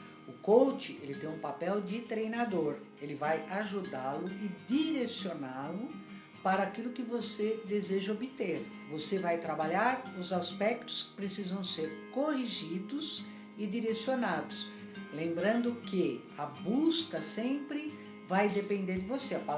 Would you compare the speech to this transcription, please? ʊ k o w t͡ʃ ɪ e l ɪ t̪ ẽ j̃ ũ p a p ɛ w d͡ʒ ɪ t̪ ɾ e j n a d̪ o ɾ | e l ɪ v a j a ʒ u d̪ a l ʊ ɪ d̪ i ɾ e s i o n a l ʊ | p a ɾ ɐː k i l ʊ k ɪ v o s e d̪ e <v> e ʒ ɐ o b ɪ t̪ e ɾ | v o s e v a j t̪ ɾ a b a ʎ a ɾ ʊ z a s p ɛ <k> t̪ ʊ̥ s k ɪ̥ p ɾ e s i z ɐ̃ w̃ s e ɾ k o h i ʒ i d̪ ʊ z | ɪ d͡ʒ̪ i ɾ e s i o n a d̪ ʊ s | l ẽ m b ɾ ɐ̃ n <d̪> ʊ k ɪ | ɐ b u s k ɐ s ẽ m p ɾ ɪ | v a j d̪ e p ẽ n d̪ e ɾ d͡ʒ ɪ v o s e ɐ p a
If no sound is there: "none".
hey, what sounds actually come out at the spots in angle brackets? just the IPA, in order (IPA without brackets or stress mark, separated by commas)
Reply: z, k, d̪